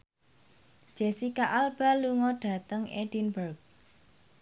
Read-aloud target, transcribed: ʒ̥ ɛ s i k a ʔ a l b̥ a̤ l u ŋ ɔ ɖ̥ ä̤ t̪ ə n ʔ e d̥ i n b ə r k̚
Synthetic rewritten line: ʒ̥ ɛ s i k a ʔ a l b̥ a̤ l u ŋ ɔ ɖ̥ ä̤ t̪ ə ŋ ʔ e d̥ i n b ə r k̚